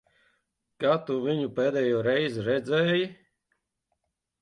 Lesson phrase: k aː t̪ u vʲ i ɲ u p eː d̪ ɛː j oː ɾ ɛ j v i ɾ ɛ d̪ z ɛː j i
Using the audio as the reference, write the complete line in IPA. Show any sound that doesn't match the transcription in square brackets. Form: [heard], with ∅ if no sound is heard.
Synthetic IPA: k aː t̪ u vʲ i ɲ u p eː d̪ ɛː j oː ɾ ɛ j [z] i ɾ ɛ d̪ z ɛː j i